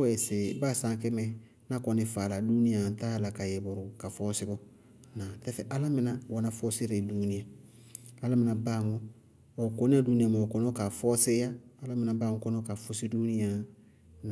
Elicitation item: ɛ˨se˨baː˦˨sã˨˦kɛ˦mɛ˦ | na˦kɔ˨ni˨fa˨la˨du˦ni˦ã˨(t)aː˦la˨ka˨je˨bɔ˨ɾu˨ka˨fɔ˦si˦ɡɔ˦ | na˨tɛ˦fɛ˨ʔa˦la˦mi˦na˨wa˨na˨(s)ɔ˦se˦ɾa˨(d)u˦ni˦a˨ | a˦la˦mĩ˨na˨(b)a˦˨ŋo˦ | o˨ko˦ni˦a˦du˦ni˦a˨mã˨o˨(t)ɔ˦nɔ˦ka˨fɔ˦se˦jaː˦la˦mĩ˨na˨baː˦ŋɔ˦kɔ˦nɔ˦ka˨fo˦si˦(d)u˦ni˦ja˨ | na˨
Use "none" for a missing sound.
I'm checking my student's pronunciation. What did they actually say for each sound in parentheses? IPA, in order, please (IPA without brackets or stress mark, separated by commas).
t, f, d, b, k, d